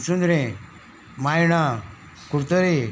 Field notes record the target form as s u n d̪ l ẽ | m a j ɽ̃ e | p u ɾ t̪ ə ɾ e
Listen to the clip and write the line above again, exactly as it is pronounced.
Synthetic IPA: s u n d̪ ɾ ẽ | m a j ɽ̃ a | k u ɾ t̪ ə ɾ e